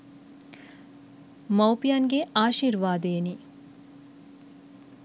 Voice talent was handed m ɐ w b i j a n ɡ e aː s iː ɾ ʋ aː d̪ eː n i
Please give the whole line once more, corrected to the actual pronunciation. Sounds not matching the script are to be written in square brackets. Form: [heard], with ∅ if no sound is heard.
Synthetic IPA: m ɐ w [p] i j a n ɡ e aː [ʃ] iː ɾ ʋ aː d̪ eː n i